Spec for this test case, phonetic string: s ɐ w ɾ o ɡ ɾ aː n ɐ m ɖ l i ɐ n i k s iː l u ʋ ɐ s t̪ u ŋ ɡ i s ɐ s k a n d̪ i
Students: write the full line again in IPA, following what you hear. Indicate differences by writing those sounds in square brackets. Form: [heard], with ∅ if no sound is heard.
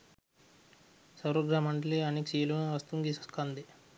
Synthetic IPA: s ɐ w ɾ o ɡ ɾ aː [m] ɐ [ɳ] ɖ l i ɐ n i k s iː l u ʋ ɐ s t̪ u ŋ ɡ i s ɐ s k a n d̪ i